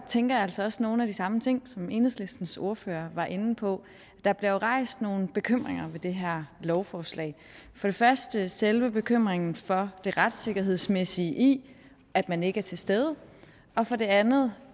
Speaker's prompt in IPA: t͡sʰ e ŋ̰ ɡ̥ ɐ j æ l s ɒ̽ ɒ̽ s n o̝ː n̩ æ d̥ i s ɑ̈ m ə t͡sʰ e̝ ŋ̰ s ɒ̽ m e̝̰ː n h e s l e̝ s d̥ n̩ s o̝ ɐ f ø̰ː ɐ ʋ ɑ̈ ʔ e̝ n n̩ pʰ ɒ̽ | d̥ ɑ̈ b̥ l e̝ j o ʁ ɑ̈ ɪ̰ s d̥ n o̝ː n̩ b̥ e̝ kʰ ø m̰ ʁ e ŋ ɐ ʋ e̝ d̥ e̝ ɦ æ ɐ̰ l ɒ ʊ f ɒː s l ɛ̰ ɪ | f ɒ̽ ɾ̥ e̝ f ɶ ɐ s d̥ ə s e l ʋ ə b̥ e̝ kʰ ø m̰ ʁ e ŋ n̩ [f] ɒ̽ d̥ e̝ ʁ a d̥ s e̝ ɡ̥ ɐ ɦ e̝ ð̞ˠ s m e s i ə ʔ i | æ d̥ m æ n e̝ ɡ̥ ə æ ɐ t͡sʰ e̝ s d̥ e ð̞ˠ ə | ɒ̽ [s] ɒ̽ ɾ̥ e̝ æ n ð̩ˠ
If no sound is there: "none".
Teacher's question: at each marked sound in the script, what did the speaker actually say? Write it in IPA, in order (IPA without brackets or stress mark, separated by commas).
f, f